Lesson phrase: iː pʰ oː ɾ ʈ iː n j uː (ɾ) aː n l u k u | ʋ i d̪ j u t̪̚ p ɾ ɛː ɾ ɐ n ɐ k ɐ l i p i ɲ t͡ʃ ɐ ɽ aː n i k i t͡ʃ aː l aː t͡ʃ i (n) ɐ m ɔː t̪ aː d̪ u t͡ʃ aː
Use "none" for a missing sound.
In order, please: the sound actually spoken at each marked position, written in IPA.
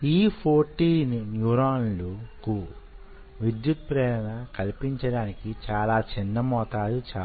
ɾ, nː

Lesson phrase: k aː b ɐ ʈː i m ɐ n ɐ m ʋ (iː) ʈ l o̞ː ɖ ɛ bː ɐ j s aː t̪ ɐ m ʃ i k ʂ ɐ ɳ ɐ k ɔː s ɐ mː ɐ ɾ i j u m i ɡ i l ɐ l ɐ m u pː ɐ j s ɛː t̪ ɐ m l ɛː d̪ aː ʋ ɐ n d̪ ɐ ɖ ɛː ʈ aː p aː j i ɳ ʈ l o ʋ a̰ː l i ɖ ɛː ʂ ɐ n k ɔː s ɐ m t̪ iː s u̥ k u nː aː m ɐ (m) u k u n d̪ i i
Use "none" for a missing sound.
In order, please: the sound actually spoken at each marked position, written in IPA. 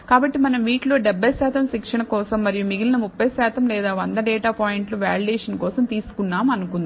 iː, n

